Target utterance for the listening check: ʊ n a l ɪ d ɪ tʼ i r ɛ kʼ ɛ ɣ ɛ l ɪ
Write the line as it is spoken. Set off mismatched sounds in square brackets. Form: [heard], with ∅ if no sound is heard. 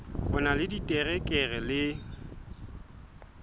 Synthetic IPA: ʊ n a l ɪ d [i] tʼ [ɛ] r ɛ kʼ ɛ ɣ ɛ l ɪ